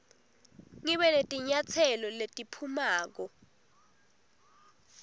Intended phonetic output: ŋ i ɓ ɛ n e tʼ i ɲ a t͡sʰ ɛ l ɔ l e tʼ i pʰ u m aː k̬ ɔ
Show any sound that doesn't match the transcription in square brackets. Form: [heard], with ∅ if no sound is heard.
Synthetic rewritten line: ŋ i ɓ ɛ n e tʼ i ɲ a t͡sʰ ɛ l ɔ l e tʼ i pʰ u m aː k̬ ɔ